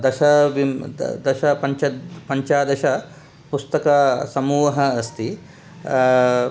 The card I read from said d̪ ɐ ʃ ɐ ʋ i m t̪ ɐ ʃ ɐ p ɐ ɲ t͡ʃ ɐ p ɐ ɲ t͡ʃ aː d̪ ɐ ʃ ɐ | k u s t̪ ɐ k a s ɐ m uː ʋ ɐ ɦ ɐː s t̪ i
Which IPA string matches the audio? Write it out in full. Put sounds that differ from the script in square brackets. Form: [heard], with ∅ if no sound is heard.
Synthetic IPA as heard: d̪ ɐ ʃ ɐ ʋ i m [d̪] ɐ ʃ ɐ p ɐ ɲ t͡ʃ ɐ p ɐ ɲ t͡ʃ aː d̪ ɐ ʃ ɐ | [p] u s t̪ ɐ k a s ɐ m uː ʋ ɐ ɦ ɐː s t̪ i